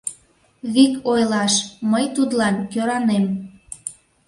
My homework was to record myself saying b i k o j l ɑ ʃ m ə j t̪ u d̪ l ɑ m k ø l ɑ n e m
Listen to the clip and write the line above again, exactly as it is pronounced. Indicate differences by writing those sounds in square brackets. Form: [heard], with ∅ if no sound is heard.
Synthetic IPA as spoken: [β] i k o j l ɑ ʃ m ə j t̪ u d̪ l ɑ [n] k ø [ɾ] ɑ n e m